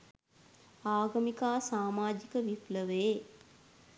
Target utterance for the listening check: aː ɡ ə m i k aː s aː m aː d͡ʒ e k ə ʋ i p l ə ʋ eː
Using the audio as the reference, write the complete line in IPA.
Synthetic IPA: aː ɡ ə m i k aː s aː m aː d͡ʒ i k ə ʋ i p l ə ʋ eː